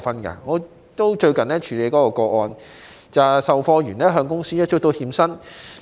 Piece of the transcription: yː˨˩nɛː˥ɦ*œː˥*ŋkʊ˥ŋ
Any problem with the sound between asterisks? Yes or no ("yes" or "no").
yes